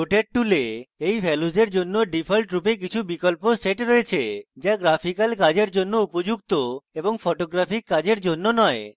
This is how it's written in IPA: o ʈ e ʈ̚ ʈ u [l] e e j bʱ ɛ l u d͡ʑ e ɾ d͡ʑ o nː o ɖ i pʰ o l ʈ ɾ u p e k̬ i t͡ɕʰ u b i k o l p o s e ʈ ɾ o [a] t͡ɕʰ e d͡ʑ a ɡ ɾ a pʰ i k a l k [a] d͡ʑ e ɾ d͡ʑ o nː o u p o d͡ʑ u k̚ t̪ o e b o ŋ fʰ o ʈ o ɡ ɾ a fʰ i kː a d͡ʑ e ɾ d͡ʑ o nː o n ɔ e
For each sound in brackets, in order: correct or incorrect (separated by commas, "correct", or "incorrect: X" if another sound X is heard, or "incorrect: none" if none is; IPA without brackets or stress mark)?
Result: correct, incorrect: e, correct